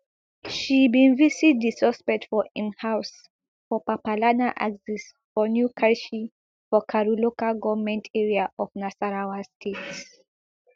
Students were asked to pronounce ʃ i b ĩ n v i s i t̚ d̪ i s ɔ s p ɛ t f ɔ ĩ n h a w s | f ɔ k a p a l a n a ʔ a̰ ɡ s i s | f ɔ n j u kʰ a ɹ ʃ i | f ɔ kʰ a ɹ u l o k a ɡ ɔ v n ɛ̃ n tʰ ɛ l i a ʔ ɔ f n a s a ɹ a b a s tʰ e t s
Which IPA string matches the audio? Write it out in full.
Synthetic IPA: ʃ i b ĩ n v i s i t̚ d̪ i s ɔ s p ɛ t f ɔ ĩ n h a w s | f ɔ p a p a l a n a ʔ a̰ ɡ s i s | f ɔ n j u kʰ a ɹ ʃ i | f ɔ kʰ a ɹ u l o k a ɡ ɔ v m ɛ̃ n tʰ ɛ ɹ i a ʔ ɔ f n a s a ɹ a w a s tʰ e t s